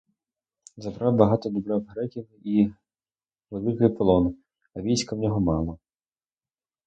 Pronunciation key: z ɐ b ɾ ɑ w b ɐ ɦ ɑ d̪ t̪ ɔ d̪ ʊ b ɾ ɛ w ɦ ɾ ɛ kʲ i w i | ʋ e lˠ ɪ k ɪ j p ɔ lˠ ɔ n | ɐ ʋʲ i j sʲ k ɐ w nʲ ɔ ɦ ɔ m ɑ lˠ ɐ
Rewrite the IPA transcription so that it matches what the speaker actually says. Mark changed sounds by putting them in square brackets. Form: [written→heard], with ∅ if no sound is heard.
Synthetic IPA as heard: z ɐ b ɾ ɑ w b ɐ ɦ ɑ [d̪→∅] t̪ ɔ d̪ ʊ b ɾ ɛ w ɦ ɾ ɛ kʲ i w i | ʋ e lˠ ɪ k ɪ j p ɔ lˠ ɔ n | ɐ ʋʲ i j sʲ k ɐ w nʲ ɔ ɦ ɔ m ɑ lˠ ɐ